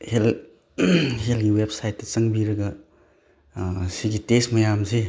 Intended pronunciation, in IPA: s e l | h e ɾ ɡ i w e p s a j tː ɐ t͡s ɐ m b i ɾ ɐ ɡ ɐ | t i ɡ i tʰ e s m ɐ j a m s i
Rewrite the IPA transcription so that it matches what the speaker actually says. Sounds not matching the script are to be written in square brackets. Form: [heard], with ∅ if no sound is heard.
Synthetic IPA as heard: [h] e l | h e [l] ɡ i w e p s a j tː ɐ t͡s ɐ [ŋ] b i ɾ ɐ ɡ ɐ | [s] i ɡ i [t] e s m ɐ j a m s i